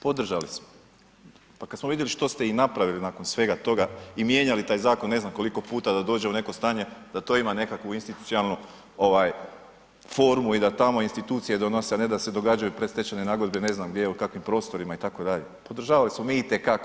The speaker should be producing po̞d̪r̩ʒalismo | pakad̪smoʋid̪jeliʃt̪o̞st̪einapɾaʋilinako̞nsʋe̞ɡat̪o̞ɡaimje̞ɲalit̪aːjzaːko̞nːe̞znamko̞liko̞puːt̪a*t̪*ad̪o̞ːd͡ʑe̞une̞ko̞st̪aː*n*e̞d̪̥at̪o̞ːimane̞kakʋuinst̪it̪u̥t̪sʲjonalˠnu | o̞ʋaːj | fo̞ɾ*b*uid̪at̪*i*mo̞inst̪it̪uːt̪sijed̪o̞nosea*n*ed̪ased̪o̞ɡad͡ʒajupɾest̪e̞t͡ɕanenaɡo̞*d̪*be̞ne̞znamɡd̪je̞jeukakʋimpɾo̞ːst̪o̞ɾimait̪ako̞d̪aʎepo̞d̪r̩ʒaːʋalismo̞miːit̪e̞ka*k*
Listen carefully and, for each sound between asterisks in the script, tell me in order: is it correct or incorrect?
incorrect: d̪, incorrect: ɲ, incorrect: m, incorrect: a, correct, correct, correct

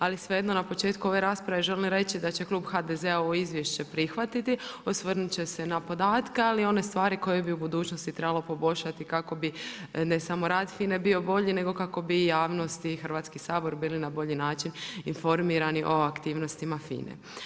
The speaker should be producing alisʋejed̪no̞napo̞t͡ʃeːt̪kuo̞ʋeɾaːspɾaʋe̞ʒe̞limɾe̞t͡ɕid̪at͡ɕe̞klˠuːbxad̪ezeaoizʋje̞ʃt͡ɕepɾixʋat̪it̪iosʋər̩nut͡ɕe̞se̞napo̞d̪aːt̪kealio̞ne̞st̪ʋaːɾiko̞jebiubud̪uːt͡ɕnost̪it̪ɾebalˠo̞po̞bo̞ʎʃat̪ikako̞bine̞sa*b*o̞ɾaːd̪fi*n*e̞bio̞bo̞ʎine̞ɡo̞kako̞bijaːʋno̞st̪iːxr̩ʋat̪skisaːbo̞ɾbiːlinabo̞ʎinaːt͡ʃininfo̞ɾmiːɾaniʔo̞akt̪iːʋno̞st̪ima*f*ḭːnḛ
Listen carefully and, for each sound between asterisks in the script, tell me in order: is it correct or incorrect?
incorrect: m, correct, correct

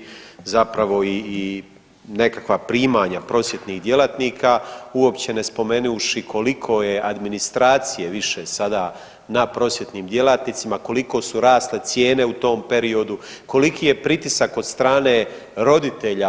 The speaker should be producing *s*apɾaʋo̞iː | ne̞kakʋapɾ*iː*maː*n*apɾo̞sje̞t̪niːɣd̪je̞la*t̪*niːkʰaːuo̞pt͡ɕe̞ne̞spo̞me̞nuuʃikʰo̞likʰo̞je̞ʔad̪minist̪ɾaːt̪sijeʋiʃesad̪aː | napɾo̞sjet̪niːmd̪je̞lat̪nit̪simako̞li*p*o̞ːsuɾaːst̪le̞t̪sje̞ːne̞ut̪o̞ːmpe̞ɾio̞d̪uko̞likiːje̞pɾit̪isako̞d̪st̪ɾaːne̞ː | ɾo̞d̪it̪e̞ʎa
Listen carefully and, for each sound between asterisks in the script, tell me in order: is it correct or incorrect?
incorrect: z, correct, incorrect: ɲ, correct, incorrect: k

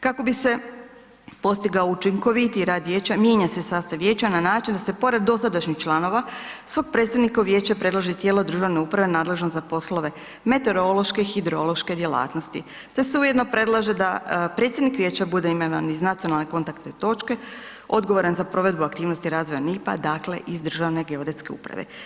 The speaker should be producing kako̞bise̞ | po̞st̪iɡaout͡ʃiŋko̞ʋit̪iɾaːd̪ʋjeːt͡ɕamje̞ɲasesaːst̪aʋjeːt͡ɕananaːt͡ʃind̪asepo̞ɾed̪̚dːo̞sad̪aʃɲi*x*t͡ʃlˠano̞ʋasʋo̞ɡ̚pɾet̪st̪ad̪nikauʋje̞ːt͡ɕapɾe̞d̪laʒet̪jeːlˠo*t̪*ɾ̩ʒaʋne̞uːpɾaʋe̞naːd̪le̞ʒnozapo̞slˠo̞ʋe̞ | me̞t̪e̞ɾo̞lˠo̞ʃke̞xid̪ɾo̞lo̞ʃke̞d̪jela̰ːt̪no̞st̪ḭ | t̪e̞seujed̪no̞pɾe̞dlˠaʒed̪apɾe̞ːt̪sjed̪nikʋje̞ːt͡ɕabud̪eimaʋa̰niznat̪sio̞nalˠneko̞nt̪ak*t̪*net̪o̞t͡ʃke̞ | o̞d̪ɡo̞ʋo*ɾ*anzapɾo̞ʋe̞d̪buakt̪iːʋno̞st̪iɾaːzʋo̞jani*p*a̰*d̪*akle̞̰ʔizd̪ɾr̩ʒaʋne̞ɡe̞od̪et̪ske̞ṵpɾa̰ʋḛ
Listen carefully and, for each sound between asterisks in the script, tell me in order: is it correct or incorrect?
correct, incorrect: d̪, correct, correct, correct, correct

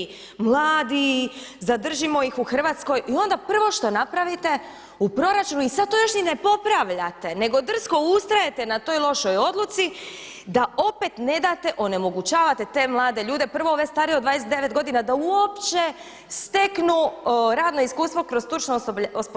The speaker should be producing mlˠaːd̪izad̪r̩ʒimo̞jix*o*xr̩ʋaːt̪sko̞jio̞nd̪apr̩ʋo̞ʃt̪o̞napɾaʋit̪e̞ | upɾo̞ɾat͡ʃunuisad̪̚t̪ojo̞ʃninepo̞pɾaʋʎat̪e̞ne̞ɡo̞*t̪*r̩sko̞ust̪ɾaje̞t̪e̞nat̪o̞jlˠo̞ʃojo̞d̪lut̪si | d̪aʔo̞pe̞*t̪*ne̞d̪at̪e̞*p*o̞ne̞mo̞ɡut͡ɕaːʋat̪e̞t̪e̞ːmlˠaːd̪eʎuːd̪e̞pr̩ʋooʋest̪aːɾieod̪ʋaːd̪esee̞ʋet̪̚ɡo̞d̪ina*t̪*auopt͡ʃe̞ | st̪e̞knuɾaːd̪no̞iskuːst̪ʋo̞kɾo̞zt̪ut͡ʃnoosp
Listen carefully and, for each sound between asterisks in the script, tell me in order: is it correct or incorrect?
incorrect: u, incorrect: d̪, correct, incorrect: ʔ, incorrect: d̪

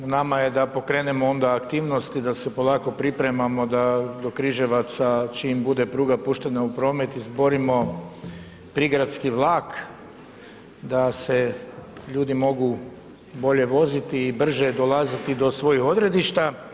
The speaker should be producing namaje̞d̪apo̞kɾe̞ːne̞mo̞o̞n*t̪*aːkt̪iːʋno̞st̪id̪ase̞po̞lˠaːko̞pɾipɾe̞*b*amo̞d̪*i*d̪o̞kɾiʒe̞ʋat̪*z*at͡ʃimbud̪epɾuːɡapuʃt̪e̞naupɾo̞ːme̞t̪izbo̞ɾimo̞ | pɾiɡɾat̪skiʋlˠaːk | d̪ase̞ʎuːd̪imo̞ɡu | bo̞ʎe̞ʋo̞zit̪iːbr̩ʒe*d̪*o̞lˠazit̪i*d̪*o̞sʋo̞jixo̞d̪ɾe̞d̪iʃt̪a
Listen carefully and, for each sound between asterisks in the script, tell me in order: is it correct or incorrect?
incorrect: d̪, incorrect: m, incorrect: a, incorrect: s, correct, correct

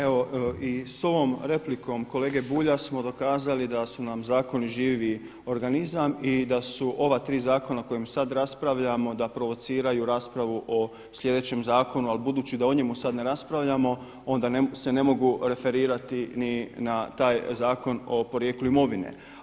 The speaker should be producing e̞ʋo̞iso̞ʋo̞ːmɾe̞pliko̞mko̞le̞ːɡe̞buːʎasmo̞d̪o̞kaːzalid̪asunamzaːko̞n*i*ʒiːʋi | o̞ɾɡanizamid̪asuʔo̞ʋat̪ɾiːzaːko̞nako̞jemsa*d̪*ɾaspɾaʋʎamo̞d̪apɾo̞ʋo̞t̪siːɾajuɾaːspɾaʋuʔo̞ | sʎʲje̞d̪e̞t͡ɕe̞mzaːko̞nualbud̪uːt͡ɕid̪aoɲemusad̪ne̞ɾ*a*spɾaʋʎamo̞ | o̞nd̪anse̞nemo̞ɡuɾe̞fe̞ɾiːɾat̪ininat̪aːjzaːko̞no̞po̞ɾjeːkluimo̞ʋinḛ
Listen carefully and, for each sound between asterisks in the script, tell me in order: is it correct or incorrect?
correct, correct, correct

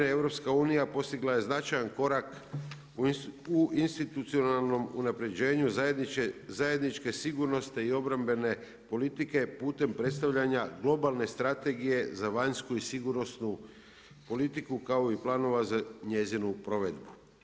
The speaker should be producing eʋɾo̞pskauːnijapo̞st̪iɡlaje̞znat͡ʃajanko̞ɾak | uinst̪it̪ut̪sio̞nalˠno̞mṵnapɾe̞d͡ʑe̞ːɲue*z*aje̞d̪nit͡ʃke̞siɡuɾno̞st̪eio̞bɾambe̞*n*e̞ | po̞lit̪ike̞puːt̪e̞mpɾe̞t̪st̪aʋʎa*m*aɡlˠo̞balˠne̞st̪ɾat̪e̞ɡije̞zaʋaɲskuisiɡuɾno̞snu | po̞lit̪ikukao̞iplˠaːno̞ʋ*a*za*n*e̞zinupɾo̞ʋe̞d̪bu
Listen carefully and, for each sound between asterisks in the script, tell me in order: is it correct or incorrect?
correct, correct, incorrect: ɲ, correct, incorrect: ɲ

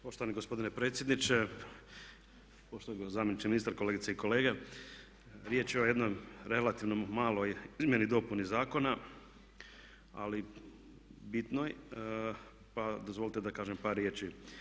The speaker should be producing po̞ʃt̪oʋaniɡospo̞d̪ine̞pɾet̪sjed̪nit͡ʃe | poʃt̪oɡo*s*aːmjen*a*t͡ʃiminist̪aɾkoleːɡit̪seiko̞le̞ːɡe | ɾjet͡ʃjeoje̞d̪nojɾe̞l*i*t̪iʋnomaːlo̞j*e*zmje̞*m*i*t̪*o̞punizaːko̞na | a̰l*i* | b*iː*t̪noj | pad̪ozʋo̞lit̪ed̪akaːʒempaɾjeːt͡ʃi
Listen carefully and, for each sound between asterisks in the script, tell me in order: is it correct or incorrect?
incorrect: z, incorrect: i, incorrect: a, incorrect: i, incorrect: n, incorrect: d̪, correct, incorrect: i

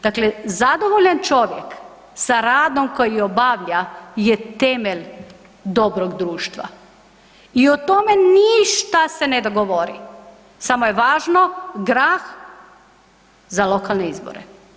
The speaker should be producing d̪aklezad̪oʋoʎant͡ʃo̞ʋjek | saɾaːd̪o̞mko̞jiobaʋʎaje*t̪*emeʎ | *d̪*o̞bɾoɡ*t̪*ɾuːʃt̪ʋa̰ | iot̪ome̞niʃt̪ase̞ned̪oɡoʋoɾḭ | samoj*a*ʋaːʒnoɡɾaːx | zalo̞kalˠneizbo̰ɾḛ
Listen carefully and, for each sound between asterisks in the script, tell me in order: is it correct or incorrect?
correct, correct, incorrect: d̪, incorrect: e

